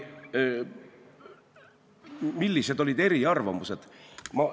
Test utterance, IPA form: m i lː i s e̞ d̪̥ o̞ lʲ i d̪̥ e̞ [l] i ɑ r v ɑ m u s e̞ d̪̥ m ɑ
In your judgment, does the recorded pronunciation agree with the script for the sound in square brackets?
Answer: no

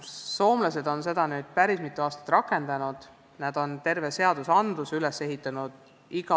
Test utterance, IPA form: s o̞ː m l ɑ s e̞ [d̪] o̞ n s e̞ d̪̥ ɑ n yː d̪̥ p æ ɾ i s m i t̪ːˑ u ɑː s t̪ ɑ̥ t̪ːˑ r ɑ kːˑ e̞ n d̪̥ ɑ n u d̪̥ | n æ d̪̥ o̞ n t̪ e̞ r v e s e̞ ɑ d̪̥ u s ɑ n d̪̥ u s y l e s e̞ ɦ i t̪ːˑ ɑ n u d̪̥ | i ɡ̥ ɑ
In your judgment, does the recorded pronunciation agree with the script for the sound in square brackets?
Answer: yes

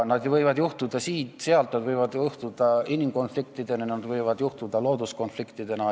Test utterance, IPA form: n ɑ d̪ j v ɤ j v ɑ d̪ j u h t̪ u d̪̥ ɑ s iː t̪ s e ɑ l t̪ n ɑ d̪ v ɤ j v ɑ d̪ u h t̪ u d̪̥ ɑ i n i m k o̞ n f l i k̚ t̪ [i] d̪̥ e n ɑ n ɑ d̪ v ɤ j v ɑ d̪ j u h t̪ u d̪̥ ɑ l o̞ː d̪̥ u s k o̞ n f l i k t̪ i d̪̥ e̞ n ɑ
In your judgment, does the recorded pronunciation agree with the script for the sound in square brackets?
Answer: yes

